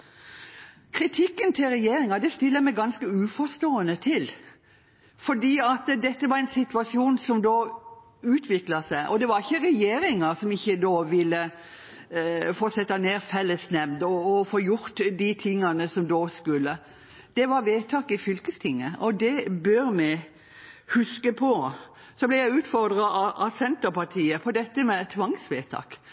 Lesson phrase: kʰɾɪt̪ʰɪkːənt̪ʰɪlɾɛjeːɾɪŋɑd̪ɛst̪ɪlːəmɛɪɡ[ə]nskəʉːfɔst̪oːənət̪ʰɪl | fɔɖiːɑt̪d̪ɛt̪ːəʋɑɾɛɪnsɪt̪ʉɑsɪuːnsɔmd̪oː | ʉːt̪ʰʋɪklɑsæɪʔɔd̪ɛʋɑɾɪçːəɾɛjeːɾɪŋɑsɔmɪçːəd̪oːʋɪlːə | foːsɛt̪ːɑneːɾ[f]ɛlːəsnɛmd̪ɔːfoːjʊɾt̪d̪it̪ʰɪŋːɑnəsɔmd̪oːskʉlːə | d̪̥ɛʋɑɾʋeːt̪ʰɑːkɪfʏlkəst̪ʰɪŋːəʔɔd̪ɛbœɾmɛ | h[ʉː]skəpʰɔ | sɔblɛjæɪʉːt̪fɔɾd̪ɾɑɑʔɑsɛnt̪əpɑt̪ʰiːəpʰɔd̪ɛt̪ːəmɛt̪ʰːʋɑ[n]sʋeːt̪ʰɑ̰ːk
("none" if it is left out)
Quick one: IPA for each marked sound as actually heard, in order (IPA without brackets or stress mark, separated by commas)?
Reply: ɑ, f, ʉ, ŋ